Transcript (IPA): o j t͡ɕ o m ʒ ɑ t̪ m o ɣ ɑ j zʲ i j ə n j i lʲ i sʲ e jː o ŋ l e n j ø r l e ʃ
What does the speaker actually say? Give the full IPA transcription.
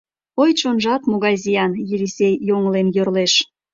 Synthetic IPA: o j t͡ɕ o n ʒ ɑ t̪ m o ɣ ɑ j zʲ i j ɑ n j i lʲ i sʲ e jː o ŋ l e n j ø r l e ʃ